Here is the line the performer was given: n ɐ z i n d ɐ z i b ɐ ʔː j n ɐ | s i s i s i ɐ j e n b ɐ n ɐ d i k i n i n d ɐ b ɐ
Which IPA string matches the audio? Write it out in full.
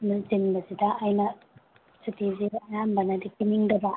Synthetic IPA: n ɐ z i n b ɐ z i d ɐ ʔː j n ɐ | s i t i z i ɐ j a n b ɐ n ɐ d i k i n i ŋ d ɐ b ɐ